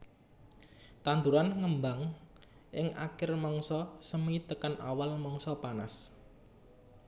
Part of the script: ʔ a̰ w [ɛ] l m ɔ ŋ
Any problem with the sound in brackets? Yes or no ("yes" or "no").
yes